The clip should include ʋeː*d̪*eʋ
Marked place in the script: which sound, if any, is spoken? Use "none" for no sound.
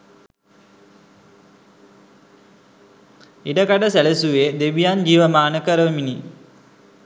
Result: d̪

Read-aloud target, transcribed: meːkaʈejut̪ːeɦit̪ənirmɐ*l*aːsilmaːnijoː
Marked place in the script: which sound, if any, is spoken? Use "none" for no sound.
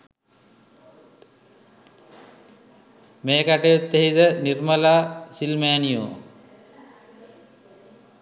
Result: l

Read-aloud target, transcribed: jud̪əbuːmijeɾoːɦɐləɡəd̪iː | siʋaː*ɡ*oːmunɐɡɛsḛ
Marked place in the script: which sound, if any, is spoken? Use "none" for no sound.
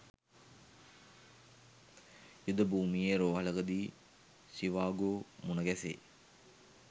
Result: ɡ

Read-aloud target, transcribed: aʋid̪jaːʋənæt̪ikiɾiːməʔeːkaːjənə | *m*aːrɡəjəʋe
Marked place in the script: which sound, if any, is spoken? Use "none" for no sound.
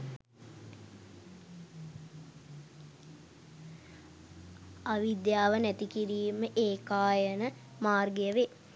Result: m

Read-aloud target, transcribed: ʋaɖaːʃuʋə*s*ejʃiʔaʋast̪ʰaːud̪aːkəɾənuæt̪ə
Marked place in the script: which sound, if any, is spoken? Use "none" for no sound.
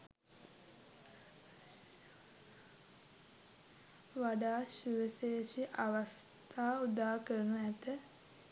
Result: s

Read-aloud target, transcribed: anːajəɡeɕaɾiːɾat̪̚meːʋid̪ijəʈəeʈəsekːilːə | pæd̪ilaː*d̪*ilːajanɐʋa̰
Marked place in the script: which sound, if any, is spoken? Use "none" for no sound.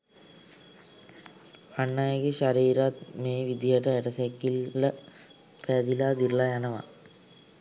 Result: d̪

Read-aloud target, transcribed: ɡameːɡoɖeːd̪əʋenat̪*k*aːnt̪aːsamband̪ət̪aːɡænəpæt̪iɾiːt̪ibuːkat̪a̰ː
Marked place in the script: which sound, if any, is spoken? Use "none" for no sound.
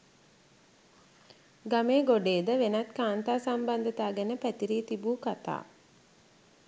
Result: k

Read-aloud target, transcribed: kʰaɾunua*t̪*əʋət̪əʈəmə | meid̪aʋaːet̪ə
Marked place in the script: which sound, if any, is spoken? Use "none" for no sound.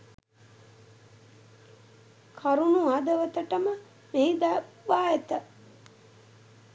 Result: d̪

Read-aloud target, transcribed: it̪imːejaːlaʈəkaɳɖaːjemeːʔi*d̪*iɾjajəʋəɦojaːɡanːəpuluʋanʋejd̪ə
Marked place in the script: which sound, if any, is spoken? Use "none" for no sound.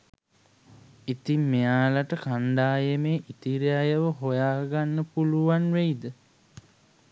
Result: t̪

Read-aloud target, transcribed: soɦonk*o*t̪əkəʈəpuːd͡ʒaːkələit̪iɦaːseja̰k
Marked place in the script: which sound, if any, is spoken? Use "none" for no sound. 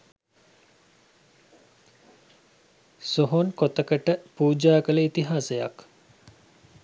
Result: o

